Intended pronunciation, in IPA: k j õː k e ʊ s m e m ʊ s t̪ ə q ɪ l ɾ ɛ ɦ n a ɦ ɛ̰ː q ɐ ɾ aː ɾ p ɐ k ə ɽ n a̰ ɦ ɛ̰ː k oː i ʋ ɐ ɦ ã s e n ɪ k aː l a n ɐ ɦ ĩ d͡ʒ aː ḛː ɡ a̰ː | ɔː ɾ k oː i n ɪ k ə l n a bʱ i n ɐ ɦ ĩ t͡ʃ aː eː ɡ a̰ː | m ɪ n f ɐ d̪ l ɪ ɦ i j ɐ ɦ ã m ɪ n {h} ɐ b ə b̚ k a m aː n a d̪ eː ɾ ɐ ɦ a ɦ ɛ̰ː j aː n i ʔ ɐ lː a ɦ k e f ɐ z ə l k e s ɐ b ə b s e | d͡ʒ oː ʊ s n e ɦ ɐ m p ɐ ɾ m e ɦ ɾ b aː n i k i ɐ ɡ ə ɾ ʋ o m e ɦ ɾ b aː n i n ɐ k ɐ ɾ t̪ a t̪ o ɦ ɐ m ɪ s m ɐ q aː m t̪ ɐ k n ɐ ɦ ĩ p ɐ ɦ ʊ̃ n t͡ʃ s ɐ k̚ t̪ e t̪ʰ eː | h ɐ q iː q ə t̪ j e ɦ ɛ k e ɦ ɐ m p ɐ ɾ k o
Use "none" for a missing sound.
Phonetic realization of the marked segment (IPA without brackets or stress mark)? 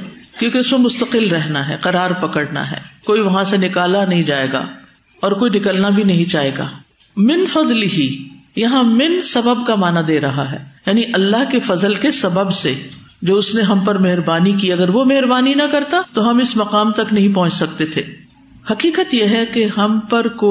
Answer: s